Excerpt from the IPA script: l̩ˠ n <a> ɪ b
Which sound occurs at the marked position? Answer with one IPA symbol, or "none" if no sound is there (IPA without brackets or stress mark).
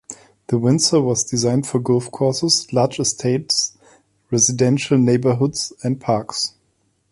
e